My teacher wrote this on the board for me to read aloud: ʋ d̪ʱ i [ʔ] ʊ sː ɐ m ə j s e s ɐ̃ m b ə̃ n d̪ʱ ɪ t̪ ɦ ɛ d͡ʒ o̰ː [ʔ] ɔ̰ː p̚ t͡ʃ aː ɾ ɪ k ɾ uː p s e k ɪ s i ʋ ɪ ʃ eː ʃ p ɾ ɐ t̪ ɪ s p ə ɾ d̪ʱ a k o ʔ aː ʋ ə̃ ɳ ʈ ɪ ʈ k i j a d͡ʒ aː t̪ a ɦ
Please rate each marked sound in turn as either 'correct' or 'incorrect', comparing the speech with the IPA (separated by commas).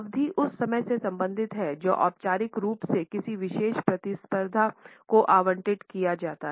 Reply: correct, correct